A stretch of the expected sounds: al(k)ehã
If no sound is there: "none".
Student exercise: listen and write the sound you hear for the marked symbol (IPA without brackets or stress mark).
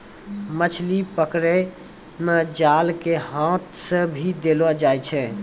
k